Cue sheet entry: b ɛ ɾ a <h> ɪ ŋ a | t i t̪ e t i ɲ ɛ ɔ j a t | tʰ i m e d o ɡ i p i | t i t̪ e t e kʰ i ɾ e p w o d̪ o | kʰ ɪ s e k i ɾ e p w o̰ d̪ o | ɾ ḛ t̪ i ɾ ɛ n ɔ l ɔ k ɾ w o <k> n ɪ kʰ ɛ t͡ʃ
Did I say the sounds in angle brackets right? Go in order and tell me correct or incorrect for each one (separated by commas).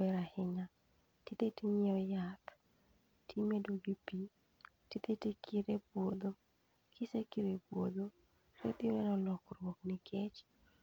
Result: correct, correct